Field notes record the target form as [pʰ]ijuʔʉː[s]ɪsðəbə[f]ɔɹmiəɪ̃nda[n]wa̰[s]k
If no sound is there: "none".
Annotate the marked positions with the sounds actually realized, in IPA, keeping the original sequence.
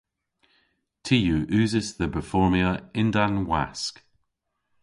tʰ, z, f, n, s

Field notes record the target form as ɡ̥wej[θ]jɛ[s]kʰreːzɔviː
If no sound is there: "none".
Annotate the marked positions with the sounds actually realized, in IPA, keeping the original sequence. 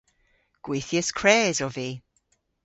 θ, s

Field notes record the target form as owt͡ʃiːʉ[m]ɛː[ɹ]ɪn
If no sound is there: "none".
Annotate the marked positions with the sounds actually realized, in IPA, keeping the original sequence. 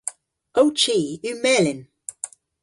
m, l

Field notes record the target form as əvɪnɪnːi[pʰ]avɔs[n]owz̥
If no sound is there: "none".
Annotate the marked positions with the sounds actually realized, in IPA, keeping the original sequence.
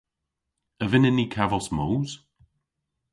kʰ, m

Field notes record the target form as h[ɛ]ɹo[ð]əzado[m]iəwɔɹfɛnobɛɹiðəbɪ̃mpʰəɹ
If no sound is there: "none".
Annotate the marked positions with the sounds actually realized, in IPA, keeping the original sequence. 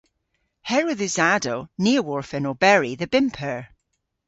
ɛ, ð, n

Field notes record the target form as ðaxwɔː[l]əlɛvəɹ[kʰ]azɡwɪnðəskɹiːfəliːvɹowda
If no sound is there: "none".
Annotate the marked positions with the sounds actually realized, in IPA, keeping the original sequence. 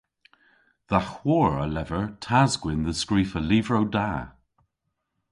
ɹ, tʰ

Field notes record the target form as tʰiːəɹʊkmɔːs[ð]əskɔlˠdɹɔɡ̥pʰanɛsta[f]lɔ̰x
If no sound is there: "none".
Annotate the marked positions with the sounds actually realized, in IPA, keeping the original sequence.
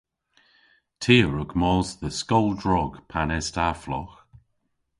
ð, f

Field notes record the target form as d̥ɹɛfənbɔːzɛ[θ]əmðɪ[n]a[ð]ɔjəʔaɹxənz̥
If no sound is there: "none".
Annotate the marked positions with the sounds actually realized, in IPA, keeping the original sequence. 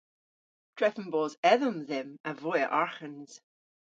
ð, m, v

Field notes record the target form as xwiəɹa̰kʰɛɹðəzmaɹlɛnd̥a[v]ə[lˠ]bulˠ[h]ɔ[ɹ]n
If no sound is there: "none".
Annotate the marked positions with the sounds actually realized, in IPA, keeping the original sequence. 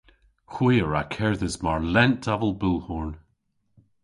v, lˠ, h, ɹ

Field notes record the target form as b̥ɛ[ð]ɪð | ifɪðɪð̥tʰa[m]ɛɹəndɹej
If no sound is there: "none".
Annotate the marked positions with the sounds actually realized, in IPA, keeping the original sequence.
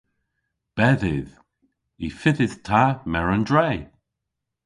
ð, m

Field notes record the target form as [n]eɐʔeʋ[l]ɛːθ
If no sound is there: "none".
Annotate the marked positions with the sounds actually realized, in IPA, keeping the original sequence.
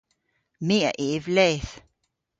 m, l

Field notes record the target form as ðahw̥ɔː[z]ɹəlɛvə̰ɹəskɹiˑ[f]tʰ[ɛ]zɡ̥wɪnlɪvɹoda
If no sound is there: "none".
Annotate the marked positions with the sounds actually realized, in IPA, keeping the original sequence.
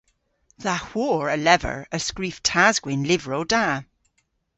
none, f, a

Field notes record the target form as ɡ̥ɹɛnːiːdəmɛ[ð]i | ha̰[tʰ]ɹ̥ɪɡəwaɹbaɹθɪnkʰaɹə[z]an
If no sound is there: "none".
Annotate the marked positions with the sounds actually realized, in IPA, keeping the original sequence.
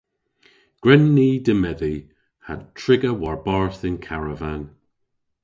ð, tʰ, v

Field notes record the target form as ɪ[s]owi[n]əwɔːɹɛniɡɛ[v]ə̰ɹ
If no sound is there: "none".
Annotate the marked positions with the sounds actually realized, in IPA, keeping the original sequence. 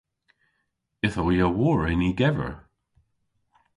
θ, none, v

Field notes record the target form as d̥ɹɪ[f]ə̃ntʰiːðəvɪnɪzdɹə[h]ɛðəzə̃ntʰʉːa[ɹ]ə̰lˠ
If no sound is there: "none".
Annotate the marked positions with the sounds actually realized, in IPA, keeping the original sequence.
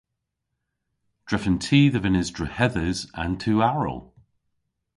f, h, ɹ

